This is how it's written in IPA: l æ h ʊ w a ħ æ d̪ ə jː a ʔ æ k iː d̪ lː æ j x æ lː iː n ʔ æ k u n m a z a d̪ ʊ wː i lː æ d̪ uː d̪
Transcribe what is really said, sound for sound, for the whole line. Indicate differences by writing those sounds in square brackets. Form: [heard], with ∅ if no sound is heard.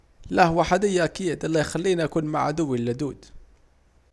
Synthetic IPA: l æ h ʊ w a ħ [a] d̪ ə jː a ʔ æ k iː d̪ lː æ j x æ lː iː n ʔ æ k u n m a [ʕ] a d̪ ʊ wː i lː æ d̪ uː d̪